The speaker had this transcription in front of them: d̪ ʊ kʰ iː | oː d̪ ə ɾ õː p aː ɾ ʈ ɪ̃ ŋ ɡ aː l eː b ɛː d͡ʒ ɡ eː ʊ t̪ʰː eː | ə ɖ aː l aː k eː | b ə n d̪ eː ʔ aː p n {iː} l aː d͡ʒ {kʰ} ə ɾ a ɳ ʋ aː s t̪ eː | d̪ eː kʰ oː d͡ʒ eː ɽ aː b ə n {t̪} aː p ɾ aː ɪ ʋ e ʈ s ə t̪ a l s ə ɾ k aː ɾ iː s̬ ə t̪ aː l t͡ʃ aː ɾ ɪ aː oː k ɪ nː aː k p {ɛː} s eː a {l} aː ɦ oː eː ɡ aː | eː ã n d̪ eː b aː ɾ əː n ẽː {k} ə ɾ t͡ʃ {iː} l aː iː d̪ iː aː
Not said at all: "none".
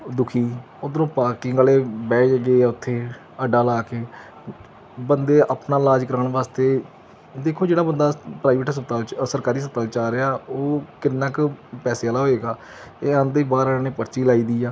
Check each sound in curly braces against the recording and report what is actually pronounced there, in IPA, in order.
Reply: aː, k, d̪, ɛː, l, p, iː

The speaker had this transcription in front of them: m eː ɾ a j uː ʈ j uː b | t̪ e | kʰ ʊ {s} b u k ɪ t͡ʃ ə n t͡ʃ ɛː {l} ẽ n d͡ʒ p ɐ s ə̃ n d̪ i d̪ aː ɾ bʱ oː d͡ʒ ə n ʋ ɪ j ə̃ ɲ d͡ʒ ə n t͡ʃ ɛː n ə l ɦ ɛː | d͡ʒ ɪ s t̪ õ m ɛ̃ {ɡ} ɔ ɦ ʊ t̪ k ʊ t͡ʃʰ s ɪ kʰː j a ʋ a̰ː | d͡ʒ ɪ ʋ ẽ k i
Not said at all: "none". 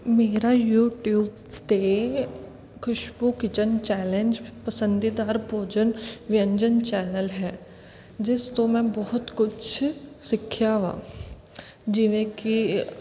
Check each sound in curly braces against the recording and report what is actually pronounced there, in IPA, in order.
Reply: ʃ, l, b

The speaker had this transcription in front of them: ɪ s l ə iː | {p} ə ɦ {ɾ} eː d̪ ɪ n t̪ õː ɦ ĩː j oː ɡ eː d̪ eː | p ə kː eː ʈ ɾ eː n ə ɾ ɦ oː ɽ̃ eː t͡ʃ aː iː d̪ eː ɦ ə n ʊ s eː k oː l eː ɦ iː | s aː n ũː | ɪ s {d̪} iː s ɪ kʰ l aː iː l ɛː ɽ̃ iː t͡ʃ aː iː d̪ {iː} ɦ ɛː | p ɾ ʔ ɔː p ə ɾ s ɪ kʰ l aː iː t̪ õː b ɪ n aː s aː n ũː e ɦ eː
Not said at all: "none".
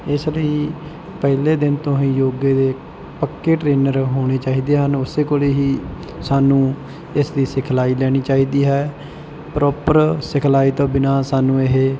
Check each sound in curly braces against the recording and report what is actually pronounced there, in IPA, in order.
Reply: p, l, d̪, iː

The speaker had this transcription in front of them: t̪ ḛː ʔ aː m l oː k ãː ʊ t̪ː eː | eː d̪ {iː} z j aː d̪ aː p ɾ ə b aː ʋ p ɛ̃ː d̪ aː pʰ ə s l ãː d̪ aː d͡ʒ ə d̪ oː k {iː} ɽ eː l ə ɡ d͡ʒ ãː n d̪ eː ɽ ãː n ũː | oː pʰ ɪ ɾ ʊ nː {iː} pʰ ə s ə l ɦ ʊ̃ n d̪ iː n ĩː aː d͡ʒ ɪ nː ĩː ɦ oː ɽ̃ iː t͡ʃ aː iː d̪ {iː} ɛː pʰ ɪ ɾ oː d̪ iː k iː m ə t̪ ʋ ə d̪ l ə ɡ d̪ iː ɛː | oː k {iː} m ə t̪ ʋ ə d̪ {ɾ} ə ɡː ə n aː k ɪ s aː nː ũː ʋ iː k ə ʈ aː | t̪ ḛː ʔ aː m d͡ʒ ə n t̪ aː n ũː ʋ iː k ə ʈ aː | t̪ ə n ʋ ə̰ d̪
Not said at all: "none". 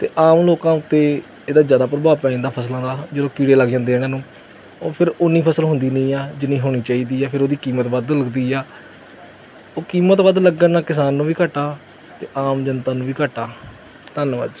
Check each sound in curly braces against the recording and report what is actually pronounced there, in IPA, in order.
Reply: aː, iː, iː, iː, iː, l

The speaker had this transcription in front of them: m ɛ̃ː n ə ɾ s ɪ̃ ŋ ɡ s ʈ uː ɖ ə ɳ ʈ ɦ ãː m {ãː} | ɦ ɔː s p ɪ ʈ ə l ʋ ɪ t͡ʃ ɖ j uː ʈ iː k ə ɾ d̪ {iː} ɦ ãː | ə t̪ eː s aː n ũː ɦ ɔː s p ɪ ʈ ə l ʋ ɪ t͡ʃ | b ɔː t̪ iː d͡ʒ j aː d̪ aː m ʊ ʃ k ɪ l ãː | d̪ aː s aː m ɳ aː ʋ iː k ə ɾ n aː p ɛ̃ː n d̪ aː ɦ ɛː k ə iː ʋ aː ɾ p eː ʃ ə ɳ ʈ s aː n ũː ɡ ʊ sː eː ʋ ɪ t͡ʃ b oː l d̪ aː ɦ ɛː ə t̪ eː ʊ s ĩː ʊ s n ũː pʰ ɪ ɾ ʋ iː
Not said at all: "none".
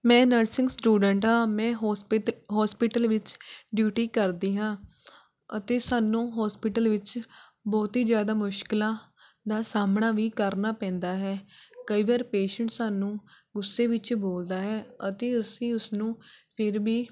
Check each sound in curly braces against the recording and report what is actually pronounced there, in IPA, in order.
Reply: ɛ̃ː, iː

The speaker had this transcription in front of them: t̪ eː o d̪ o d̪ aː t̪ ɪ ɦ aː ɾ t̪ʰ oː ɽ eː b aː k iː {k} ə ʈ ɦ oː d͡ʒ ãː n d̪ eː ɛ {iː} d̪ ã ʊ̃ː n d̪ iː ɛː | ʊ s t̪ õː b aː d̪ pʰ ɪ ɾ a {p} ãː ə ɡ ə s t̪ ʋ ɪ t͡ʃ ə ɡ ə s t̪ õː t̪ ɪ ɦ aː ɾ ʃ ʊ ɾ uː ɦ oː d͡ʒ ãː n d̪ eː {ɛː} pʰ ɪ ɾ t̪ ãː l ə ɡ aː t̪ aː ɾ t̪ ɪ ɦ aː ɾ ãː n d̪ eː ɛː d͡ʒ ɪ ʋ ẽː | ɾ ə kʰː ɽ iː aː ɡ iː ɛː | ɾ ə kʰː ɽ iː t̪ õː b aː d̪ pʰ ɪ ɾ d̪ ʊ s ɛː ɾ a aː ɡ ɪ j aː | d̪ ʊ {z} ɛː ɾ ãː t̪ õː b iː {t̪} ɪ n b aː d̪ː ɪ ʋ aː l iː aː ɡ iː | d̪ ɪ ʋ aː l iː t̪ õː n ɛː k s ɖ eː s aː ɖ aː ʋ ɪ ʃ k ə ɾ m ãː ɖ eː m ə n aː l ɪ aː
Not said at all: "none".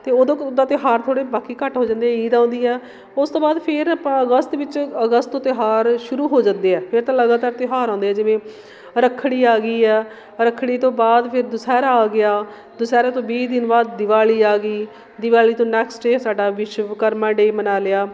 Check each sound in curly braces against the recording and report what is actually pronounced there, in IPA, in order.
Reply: k, iː, p, ɛː, s, d̪

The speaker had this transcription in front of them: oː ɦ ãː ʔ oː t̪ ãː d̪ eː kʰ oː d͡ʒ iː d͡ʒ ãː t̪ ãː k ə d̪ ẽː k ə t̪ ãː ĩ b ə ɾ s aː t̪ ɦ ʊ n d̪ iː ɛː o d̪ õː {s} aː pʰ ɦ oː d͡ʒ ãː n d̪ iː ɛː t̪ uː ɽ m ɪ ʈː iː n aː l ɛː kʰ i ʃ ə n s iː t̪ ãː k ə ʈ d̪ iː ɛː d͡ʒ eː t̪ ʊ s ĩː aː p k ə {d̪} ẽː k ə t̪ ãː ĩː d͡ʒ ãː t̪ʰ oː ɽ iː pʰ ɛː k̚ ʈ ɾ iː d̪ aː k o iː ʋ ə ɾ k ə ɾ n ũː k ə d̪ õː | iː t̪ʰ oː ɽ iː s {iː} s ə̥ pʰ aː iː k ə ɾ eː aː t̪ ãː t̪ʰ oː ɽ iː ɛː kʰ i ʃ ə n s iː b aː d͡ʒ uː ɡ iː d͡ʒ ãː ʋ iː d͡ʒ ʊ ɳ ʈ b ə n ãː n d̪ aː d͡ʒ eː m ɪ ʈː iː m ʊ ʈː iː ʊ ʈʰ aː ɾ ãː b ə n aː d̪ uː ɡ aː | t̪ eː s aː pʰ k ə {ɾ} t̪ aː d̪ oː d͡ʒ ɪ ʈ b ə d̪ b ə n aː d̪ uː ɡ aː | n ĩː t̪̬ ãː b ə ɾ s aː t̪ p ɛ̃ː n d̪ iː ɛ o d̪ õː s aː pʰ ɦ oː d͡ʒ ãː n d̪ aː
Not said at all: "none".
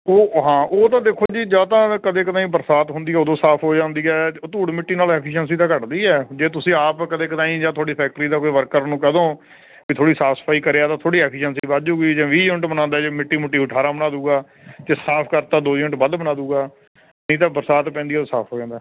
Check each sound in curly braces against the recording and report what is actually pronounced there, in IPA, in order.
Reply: s, d̪, aː, ɾ

